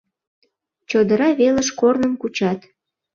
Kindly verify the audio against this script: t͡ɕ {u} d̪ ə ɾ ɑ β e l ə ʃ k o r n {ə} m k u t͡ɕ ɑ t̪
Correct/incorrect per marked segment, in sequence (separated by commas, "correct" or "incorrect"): incorrect, correct